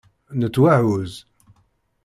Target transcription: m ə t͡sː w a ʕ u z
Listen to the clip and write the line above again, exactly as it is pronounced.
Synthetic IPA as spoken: n ə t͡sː w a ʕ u z